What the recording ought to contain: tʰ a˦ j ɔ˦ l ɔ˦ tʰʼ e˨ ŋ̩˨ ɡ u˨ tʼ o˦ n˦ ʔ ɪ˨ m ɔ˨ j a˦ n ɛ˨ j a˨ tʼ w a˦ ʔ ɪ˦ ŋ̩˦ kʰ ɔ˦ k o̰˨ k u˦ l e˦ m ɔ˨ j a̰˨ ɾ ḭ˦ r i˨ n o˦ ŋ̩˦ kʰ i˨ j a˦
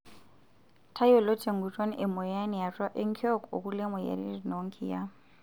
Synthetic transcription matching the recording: tʰ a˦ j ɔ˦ l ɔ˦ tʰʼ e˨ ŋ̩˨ ɡ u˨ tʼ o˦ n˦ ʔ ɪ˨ m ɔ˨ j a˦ n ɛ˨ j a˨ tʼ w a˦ ʔ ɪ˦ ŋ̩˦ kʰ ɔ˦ k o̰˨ k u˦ l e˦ m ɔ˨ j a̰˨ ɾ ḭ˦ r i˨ n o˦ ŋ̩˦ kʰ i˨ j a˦